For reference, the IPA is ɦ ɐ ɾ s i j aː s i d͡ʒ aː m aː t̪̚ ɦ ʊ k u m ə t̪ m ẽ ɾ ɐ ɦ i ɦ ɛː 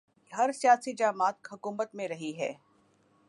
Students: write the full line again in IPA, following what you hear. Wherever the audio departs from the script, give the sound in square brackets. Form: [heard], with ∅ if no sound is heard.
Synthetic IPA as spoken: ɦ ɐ ɾ s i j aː s i d͡ʒ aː m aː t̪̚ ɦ ʊ k [uː] m ə t̪ m ẽ ɾ ɐ ɦ i ɦ ɛː